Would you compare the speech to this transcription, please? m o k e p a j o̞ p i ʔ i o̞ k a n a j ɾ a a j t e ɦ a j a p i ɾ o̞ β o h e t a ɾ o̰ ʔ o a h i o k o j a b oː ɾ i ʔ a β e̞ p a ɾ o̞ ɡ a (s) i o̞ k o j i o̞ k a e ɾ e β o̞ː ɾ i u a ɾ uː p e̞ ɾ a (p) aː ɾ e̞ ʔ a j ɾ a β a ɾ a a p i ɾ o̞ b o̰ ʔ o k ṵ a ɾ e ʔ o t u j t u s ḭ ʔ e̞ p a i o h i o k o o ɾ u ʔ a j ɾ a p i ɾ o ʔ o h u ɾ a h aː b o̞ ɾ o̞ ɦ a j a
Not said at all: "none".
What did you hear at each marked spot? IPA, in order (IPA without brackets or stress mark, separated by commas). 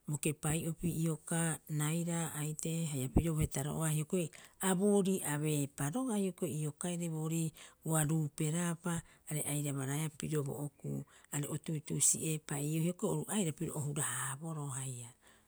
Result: h, p